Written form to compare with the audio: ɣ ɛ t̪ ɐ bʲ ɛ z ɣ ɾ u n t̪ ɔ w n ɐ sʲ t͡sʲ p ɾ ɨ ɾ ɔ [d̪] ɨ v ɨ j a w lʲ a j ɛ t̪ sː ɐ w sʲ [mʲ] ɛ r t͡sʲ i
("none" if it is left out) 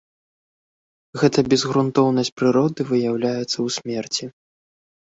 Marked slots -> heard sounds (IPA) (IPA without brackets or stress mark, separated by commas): d̪, mʲ